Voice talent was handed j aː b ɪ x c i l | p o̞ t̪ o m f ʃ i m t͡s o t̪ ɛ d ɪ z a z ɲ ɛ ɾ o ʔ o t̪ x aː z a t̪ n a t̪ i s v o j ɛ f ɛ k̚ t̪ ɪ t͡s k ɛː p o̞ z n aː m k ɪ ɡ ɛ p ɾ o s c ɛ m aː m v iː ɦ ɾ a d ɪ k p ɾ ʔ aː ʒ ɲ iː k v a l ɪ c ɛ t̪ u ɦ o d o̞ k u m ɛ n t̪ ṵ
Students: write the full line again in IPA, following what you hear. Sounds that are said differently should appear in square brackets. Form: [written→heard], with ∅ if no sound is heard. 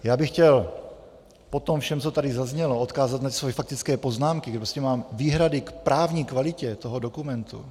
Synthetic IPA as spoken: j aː b ɪ x c [i→ɛ] l | p o̞ t̪ o m f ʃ [i→ɛ] m t͡s o t̪ [ɛ→a] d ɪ z a z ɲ ɛ [ɾ→l] o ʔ o t̪ [x→k] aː z a t̪ n a t̪ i s v o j ɛ f [ɛ→a] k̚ t̪ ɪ t͡s k ɛː p o̞ z n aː m k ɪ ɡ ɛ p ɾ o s c ɛ m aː m v iː ɦ ɾ a d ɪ k p ɾ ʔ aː [ʒ→v] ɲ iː k v a l ɪ c ɛ t̪ [u→o] ɦ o d o̞ k u m ɛ n t̪ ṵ